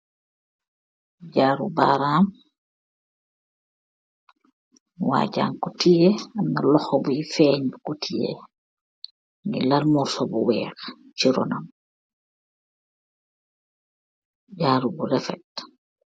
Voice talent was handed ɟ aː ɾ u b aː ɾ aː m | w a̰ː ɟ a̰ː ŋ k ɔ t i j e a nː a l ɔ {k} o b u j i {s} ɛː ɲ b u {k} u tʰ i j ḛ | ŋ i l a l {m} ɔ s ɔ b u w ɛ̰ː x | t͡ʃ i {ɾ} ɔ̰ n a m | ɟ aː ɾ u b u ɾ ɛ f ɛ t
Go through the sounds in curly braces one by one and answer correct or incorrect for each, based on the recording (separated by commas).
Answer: incorrect, incorrect, correct, correct, correct